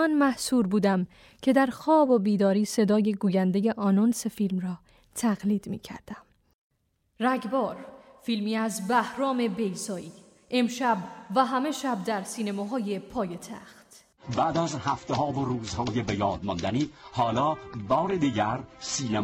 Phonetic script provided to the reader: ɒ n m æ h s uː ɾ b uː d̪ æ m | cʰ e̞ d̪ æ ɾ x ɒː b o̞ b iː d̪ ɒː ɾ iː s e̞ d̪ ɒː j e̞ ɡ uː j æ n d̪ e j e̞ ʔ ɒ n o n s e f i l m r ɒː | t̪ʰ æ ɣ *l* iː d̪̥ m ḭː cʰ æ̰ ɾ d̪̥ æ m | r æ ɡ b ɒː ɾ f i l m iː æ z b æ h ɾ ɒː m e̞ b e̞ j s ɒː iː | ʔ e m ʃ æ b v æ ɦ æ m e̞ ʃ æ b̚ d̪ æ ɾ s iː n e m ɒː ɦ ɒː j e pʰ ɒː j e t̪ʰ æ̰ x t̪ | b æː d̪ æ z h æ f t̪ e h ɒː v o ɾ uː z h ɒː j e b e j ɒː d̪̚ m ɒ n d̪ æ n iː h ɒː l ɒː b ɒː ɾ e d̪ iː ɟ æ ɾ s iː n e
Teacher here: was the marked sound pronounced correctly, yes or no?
yes